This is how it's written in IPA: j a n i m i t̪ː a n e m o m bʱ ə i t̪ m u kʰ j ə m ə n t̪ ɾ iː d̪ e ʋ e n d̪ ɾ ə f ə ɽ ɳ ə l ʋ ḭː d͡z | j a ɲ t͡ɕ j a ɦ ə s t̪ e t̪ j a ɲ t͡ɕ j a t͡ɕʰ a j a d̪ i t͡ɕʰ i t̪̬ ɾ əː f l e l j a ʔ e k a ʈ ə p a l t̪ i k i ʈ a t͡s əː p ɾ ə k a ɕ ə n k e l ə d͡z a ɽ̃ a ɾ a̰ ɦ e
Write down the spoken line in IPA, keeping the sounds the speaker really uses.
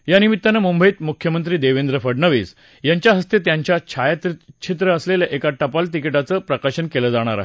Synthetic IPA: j a n i m i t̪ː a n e m u m bʱ ə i t̪ m u kʰ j ə m ə n t̪ ɾ iː d̪ e ʋ e n d̪ ɾ ə f ə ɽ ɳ ə ʋ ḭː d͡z | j a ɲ t͡ɕ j a ɦ ə s t̪ e t̪ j a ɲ t͡ɕ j a t͡ɕʰ a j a t̪ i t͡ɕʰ i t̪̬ ɾ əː s l e l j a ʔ e k a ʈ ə p a l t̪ i k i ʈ a t͡s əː p ɾ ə k a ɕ ə n k e l ə d͡z a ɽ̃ a ɾ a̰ ɦ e